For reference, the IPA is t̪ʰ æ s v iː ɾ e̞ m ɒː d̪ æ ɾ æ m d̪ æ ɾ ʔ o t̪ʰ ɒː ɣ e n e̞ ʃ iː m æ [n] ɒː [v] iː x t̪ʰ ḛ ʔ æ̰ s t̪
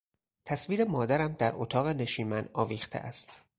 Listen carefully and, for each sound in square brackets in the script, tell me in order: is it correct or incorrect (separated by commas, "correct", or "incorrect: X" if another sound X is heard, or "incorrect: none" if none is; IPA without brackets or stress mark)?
correct, correct